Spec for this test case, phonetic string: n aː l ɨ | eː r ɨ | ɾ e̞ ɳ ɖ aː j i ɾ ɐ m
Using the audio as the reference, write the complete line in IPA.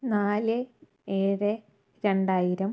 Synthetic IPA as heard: n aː l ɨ | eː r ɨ | ɾ e̞ ɳ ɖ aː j i ɾ ɐ m

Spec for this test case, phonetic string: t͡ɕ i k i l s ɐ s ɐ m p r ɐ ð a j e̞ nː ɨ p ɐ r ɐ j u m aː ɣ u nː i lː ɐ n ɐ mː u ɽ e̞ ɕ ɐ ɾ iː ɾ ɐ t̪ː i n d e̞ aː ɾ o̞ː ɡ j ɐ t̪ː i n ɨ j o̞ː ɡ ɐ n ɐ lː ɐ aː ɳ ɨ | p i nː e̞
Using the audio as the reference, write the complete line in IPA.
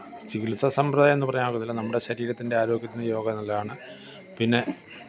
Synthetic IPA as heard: t͡ɕ i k i l s ɐ s ɐ m p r ɐ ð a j e̞ nː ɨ p ɐ r ɐ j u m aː ɣ u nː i lː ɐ n ɐ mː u ɽ e̞ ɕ ɐ ɾ iː ɾ ɐ t̪ː i n d e̞ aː ɾ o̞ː ɡ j ɐ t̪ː i n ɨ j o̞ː ɡ ɐ n ɐ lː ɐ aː ɳ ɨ | p i nː e̞

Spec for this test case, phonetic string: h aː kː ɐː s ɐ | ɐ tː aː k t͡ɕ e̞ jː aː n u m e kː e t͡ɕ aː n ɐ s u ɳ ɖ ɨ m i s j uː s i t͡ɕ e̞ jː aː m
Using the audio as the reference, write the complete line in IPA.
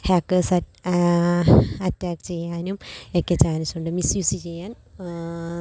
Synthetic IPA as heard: h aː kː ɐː s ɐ | ɐ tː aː k t͡ɕ e̞ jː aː n u m e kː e t͡ɕ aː n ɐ s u ɳ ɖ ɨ m i s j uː s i t͡ɕ e̞ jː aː n

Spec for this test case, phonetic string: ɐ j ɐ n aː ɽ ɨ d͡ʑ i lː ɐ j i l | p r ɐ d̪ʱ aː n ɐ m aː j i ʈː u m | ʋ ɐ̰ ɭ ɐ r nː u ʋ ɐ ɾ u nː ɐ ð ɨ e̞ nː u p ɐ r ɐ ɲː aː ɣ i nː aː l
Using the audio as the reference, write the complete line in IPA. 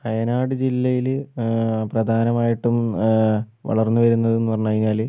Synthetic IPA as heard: ɐ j ɐ n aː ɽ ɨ d͡ʑ i lː ɐ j i l | p r ɐ d̪ʱ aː n ɐ m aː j i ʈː u m | ʋ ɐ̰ ɭ ɐ r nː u ʋ ɐ ɾ u nː ɐ ð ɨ e̞ nː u p ɐ r ɐ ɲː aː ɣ i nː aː l

